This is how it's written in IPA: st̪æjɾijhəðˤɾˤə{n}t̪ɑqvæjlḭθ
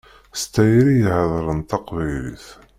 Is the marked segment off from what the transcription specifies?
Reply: no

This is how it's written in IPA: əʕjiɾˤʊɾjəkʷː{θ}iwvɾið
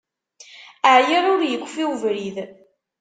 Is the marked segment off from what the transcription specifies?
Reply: yes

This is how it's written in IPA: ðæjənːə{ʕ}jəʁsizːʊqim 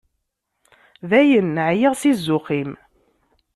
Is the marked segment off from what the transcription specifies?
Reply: no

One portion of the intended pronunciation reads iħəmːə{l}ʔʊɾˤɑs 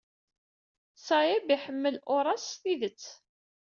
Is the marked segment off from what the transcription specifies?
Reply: no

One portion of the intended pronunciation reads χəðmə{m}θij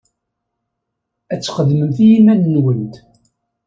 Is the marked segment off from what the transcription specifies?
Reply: no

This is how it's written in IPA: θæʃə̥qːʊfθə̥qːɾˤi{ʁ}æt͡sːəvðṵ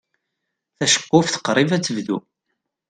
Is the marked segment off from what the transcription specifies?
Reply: yes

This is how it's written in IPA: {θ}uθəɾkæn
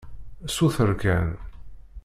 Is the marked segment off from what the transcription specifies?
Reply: yes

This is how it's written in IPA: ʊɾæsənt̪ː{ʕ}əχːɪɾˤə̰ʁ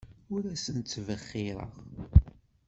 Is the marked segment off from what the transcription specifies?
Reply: yes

